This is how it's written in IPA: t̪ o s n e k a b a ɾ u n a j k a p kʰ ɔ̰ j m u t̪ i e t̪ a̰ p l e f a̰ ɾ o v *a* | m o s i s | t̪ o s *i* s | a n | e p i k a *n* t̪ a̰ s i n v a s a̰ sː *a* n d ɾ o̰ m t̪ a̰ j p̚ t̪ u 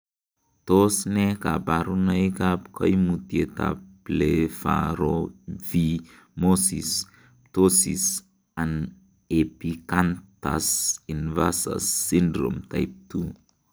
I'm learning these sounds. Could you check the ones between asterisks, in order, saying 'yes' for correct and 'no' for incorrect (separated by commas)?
no, yes, yes, no